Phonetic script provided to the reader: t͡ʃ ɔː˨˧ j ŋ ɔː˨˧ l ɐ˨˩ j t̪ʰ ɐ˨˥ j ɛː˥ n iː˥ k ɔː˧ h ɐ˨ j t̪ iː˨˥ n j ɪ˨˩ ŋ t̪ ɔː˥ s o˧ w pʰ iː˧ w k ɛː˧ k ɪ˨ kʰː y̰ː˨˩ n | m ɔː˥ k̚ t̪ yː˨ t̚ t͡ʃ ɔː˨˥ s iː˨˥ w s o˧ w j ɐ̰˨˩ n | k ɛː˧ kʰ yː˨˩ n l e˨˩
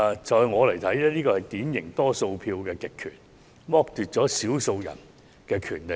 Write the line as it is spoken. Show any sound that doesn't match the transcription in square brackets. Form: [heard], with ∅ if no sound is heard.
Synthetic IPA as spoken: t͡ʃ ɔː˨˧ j ŋ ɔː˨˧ l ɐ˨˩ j t̪ʰ ɐ˨˥ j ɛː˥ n iː˥ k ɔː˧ h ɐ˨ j t̪ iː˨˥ n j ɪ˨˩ ŋ t̪ ɔː˥ s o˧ w pʰ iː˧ w k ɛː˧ k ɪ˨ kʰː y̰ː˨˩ n | m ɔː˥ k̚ t̪ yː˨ t̚ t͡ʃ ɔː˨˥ s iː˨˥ w s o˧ w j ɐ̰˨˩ n | k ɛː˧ kʰ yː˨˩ n l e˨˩